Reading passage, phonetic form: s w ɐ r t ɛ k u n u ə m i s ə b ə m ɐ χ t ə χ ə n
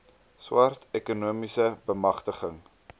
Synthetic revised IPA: s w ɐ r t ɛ k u n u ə m i s ə b ə m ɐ χ t ə χ ə ŋ